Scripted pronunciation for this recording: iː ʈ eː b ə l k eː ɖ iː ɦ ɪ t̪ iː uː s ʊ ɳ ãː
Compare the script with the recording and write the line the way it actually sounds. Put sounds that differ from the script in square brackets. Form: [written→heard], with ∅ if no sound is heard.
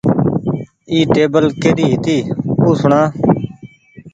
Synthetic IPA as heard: iː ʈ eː b ə l k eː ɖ iː ɦ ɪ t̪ iː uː s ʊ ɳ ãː